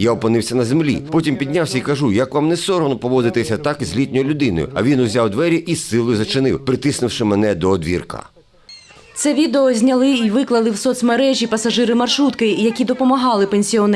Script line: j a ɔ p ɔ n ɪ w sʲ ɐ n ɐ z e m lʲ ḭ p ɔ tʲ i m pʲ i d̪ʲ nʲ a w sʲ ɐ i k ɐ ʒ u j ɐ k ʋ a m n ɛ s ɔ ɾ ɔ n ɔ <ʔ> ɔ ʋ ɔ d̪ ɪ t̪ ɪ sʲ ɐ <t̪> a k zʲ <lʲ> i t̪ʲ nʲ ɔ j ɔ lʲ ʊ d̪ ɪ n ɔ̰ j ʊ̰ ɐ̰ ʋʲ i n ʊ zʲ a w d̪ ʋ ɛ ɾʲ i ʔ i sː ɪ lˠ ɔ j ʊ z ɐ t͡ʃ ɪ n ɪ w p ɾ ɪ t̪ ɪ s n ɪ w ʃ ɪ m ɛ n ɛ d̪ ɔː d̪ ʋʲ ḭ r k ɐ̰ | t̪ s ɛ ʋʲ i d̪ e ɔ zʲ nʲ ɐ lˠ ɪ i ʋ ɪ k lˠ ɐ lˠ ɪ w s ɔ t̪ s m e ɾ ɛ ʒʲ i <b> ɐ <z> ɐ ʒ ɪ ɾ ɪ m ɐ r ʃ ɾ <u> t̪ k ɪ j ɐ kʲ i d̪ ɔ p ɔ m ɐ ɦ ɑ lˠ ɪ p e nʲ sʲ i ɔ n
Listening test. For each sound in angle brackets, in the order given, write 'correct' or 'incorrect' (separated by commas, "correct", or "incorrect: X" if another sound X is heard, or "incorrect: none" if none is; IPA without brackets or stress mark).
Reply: incorrect: p, correct, correct, incorrect: p, incorrect: s, correct